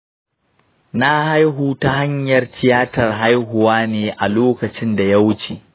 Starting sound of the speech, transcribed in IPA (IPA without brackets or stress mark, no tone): n